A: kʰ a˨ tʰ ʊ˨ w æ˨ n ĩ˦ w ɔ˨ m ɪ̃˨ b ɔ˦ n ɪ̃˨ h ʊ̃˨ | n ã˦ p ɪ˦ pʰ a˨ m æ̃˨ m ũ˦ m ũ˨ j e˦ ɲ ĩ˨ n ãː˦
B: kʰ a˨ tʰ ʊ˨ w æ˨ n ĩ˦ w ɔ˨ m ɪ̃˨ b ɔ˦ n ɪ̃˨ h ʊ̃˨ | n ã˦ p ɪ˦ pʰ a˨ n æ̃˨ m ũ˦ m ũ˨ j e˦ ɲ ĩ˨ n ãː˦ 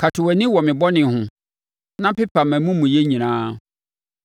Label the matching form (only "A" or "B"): A